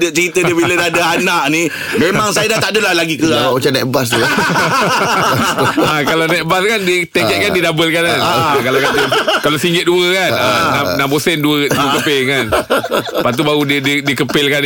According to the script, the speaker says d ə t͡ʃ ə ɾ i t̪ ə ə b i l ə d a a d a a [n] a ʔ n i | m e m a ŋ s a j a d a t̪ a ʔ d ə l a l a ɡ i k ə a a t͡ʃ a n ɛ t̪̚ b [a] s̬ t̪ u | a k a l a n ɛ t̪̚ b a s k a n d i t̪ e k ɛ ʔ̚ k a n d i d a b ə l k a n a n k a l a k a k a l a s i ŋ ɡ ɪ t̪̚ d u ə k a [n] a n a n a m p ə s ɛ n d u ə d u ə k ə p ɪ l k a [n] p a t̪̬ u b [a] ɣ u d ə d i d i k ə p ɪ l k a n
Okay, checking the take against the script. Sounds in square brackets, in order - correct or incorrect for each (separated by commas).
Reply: correct, correct, correct, correct, correct